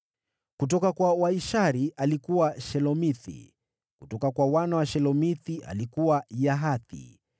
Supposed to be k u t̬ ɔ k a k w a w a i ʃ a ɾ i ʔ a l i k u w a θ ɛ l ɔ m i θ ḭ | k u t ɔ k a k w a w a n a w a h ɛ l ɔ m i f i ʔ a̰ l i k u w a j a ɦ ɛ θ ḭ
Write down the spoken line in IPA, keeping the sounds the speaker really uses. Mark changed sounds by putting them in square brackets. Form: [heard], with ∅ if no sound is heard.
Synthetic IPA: k u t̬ ɔ k a k w a w a i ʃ a ɾ i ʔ a l i k u w a [ʃ] ɛ l ɔ m i θ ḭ | k u t ɔ k a k w a w a n a w a [ʃ] ɛ l ɔ m i [θ] i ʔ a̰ l i k u w a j a ɦ [a] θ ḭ